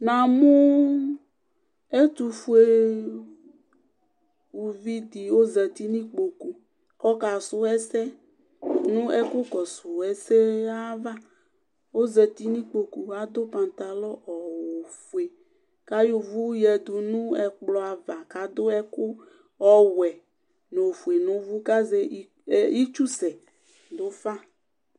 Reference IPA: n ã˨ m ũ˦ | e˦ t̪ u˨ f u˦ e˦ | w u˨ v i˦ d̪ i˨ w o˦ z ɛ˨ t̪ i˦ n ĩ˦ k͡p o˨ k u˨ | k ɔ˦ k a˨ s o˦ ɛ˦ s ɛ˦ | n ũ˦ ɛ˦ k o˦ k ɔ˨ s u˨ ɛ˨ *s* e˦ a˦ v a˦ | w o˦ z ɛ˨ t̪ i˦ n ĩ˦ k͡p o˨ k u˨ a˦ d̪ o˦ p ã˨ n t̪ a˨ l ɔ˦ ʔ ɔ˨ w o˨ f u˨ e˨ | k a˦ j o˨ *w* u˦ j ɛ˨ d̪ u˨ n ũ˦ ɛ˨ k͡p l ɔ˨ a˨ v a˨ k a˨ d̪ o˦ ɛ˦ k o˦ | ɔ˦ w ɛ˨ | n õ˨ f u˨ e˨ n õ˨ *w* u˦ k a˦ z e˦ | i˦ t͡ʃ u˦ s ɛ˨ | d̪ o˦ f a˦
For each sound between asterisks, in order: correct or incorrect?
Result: correct, incorrect, incorrect

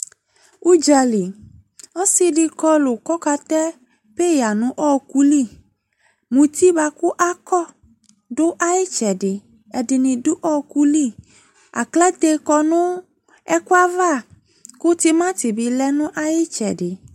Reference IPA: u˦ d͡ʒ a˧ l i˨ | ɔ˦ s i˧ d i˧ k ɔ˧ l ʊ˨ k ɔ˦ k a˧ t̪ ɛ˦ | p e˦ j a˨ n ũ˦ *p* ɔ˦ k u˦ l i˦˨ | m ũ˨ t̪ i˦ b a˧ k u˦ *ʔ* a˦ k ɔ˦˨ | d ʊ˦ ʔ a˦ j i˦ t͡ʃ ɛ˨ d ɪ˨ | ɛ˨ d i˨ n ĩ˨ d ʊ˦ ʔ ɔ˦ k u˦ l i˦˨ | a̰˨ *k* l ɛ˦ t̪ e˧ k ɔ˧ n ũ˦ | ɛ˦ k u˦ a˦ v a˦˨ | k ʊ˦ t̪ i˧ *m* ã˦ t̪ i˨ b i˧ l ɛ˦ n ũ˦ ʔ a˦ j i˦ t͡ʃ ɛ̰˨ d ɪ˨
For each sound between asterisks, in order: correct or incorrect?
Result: incorrect, correct, correct, correct

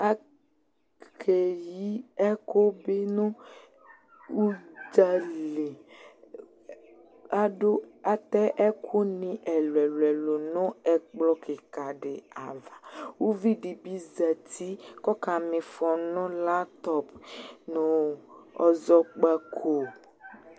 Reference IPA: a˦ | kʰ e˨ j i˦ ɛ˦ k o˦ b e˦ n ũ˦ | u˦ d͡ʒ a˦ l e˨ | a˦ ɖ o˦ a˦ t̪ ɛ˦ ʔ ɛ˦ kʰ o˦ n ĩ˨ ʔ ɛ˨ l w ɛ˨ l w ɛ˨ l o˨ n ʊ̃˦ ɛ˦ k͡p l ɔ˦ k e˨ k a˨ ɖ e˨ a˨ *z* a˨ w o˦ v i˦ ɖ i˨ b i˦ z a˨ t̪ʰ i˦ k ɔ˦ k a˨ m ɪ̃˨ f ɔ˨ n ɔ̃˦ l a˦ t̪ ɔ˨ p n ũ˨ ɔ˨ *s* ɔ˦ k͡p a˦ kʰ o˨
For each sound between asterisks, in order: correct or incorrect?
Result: incorrect, incorrect

